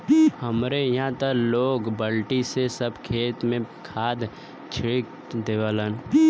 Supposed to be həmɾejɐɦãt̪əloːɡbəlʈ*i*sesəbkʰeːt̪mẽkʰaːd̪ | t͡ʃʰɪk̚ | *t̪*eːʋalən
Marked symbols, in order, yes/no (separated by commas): yes, no